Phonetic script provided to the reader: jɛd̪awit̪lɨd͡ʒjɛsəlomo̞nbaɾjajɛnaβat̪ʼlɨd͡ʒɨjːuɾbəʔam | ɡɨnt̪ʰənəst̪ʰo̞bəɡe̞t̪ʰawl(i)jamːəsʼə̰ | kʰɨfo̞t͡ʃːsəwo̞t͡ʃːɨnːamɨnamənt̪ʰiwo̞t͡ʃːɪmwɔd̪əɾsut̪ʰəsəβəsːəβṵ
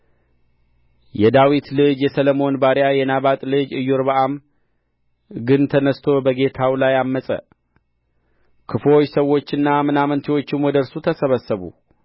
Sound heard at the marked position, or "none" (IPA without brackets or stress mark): a